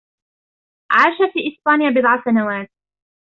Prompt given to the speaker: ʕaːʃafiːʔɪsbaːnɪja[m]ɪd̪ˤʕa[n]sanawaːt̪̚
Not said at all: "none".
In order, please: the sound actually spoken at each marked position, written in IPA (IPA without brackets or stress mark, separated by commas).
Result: b, none